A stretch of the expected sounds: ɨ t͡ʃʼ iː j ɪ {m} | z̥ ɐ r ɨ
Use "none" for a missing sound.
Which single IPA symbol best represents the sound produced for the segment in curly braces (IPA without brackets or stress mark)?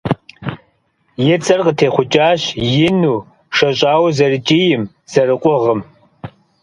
m